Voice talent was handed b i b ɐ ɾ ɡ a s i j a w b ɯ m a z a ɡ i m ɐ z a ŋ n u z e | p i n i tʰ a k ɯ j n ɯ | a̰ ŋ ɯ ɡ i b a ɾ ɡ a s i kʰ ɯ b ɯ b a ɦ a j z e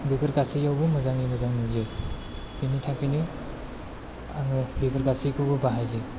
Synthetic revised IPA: b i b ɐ ɾ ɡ a s i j a w b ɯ m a z a ŋ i m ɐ z a ŋ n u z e | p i n i tʰ a k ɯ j n ɯ | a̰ ŋ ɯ b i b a ɾ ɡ a s i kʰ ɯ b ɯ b a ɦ a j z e